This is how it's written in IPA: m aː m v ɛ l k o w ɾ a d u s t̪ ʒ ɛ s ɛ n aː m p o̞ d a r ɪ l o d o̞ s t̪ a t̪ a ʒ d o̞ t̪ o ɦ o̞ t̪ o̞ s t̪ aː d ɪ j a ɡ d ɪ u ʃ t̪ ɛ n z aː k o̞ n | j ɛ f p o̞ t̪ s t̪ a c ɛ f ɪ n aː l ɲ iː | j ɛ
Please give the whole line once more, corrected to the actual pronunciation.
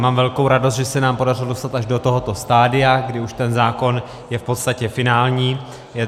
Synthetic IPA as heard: m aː m v ɛ l k o w ɾ a d o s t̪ ʒ ɛ s ɛ n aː m p o̞ d a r ɪ l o d o̞ s t̪ a t̪ a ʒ d o̞ t̪ o ɦ o̞ t̪ o̞ s t̪ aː d ɪ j a ɡ d ɪ u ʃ t̪ ɛ n z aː k o̞ n | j ɛ f p o̞ t̪ s t̪ a c ɛ f ɪ n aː l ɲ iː | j ɛ